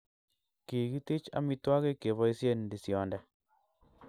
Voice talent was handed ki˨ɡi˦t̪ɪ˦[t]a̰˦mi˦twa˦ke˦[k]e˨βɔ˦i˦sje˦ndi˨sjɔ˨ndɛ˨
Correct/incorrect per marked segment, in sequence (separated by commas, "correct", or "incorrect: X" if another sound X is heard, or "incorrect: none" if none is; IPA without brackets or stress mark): incorrect: t͡ʃ, correct